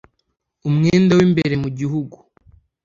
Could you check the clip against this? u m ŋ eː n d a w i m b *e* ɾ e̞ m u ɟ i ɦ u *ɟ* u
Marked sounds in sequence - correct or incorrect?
correct, incorrect

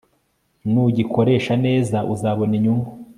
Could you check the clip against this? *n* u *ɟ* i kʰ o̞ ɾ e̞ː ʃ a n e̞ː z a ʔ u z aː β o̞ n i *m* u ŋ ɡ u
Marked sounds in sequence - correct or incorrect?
correct, correct, incorrect

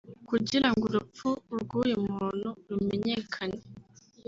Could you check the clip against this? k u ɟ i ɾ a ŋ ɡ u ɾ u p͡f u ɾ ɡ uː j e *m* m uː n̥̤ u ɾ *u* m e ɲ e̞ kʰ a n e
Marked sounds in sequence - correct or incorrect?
correct, correct

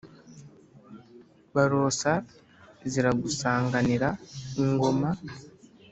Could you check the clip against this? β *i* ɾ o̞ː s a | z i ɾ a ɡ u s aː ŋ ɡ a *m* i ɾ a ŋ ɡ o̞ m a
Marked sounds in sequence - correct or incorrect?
incorrect, incorrect

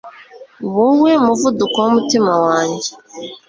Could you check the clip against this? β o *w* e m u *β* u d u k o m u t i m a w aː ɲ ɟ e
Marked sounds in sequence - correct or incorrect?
correct, incorrect

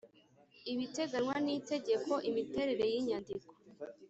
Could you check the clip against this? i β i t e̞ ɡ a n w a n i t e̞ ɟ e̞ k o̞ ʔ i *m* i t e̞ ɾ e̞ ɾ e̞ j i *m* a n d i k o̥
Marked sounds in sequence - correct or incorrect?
correct, incorrect

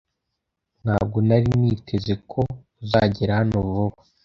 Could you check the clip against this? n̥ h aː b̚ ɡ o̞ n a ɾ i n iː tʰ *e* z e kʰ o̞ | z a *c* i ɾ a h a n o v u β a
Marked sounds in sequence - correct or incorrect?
correct, incorrect

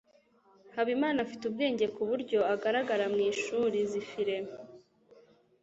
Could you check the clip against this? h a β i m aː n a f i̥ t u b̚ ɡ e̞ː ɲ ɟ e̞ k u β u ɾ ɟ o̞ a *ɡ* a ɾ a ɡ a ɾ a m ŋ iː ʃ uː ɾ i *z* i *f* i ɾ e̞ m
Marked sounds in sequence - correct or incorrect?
correct, correct, correct

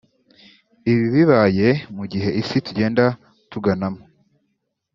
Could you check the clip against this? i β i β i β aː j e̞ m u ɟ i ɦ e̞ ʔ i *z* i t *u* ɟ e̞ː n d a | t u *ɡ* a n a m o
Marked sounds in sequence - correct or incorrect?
incorrect, correct, correct

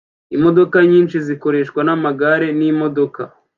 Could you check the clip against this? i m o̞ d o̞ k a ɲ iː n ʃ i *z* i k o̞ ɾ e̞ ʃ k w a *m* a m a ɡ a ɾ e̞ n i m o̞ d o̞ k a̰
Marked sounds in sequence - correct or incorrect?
correct, incorrect

